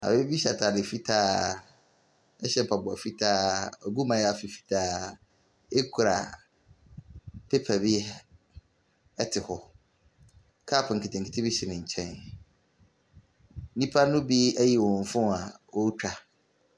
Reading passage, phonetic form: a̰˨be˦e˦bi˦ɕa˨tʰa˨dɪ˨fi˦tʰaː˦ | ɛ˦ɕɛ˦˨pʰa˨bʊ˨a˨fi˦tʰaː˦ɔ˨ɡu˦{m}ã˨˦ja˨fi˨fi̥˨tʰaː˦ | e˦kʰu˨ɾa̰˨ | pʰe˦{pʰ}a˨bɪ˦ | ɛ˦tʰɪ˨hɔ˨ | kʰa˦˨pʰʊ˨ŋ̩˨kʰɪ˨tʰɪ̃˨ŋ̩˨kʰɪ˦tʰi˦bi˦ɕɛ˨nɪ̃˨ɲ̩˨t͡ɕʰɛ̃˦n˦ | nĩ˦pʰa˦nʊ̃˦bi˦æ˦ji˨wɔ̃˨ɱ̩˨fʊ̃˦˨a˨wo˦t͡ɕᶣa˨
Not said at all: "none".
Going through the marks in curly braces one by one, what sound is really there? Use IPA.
m, pʰ

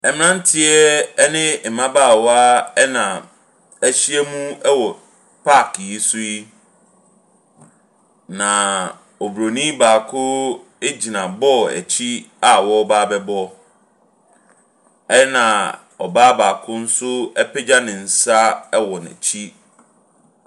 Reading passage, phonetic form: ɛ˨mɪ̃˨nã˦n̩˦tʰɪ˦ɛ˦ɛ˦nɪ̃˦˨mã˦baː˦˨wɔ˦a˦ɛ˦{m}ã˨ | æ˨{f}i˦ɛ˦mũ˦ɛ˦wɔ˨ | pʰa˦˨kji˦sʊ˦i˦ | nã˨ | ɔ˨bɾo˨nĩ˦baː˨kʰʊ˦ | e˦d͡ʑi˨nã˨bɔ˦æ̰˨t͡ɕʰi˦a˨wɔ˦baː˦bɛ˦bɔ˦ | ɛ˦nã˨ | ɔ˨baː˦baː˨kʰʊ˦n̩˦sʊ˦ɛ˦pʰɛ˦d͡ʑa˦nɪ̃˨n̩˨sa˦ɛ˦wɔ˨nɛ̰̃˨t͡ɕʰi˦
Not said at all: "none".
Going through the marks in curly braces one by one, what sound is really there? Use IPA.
n, ɕ

